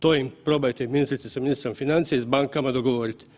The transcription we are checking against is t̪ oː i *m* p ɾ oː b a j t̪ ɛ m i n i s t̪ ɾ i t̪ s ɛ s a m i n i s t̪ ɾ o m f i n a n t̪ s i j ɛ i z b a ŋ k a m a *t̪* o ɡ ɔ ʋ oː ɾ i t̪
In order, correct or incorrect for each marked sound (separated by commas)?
correct, incorrect